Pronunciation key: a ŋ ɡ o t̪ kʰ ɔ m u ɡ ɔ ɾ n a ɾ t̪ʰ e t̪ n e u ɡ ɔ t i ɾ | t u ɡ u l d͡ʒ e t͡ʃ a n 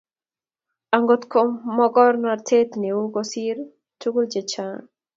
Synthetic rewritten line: a ŋ ɡ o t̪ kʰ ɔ m ɔ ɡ ɔ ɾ n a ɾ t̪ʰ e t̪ n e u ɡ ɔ s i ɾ | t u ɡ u l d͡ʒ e t͡ʃ a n